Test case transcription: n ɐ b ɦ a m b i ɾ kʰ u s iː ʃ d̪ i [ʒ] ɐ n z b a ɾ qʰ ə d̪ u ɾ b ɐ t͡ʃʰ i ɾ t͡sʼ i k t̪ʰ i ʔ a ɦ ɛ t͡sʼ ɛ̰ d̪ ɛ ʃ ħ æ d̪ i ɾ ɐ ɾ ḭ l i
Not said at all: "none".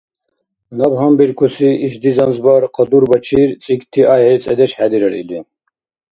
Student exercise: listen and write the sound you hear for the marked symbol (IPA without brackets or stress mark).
z